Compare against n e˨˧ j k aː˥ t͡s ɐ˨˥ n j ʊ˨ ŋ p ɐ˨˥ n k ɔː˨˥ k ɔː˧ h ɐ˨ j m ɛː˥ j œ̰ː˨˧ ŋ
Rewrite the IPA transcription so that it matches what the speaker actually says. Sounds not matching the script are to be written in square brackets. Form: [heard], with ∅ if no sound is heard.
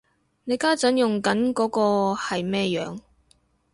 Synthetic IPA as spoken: n e˨˧ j k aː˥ t͡s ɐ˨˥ n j ʊ˨ ŋ [k] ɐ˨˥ n k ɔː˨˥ k ɔː˧ h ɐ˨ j m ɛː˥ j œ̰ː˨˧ ŋ